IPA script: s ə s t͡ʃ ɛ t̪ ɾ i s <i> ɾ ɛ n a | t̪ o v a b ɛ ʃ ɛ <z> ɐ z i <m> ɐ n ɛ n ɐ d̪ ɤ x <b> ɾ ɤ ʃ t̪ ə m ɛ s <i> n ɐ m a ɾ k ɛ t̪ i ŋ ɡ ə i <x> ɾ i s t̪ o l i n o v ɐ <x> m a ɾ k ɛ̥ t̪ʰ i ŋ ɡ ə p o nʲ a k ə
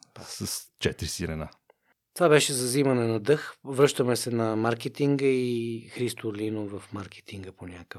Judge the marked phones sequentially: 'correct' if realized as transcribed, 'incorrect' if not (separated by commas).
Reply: correct, correct, correct, incorrect, incorrect, correct, incorrect